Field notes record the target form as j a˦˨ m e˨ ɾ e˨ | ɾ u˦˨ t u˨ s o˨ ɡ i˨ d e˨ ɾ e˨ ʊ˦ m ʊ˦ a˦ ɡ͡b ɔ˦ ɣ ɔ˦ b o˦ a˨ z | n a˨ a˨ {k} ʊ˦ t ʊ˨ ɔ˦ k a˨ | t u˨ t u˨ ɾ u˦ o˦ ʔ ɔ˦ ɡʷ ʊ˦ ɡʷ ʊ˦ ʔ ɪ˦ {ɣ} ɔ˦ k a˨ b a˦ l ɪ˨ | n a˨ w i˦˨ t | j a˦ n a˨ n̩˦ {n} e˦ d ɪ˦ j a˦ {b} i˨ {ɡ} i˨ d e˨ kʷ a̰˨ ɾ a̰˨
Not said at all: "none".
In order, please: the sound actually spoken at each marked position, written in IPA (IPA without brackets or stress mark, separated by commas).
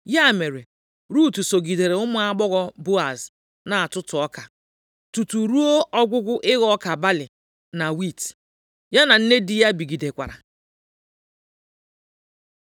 t, ɣ, n, b, ɡ